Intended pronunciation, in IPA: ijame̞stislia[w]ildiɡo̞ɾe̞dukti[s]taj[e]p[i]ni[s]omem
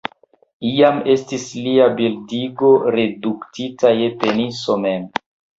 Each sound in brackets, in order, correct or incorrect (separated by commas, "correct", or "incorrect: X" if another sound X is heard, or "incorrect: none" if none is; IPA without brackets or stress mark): incorrect: b, incorrect: none, correct, incorrect: e, correct